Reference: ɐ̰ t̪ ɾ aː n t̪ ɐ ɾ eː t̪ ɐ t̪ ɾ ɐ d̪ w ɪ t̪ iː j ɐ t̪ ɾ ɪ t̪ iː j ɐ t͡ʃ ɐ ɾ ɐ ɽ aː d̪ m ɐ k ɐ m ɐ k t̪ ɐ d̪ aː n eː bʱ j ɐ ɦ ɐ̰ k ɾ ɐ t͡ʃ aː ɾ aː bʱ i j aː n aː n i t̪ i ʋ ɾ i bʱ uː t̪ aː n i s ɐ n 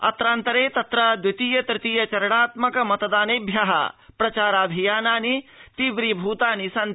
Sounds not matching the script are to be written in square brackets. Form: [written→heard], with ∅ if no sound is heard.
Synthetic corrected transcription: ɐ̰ t̪ ɾ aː n t̪ ɐ ɾ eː t̪ ɐ t̪ ɾ ɐ d̪ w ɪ t̪ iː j ɐ t̪ ɾ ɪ t̪ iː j ɐ t͡ʃ ɐ ɾ ɐ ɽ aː [d̪→t̪] m ɐ k ɐ m ɐ [k→∅] t̪ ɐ d̪ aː n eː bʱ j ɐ ɦ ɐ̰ [k→p] ɾ ɐ t͡ʃ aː ɾ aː bʱ i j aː n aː n i t̪ i ʋ ɾ i bʱ uː t̪ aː n i s ɐ n